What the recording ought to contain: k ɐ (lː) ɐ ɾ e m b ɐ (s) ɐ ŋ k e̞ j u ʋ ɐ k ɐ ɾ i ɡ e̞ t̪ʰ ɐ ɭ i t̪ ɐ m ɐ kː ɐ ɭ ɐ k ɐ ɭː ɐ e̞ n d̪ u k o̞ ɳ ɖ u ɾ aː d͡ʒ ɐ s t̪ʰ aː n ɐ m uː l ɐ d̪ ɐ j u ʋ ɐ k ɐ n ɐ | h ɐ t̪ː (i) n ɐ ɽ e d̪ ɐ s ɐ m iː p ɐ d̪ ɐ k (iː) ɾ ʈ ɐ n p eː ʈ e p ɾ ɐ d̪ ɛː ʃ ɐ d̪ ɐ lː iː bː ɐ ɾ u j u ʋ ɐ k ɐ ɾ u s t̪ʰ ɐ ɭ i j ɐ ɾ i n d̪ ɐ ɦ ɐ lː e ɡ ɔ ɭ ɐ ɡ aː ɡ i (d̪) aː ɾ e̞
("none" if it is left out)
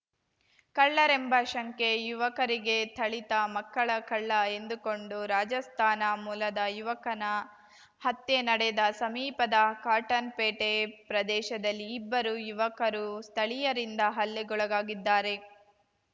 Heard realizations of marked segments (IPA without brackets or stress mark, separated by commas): ɭː, ʃ, e, aː, d̪ː